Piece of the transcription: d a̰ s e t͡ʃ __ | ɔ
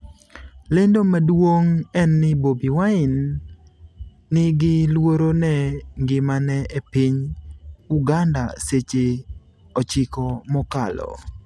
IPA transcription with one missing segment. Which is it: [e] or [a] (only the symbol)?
e